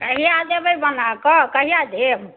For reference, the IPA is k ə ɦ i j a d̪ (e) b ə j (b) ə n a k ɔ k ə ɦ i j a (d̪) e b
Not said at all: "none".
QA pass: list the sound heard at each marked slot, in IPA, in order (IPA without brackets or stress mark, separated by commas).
e, b, d̪